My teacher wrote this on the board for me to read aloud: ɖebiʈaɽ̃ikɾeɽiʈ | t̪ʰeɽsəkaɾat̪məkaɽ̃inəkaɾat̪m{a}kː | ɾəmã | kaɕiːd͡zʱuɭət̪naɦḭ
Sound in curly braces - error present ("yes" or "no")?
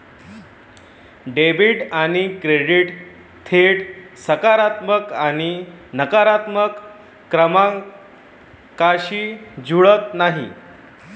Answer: yes